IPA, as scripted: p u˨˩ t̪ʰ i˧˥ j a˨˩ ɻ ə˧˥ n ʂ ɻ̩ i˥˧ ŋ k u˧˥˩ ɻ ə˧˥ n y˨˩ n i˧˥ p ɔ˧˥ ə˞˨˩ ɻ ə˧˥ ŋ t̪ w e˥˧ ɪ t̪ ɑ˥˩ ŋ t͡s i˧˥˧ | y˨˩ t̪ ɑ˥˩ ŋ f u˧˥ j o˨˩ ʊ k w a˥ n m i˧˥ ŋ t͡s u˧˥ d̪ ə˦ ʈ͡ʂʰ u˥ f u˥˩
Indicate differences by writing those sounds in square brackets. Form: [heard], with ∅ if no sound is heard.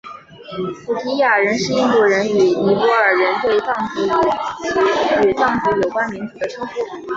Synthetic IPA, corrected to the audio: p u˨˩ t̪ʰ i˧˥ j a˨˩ ɻ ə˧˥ n ʂ ɻ̩ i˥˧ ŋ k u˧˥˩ ɻ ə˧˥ n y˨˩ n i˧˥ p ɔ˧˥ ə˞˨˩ ɻ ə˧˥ [n] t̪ w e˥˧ ɪ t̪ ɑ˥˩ ŋ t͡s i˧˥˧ | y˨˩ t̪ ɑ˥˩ ŋ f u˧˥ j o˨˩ ʊ k w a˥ n m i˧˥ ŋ t͡s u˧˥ d̪ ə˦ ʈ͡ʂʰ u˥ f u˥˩